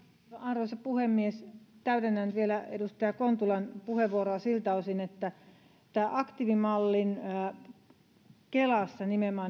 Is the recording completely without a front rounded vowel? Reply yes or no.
no